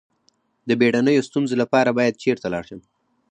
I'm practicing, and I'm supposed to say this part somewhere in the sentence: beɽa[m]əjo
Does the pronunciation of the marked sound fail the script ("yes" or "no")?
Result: yes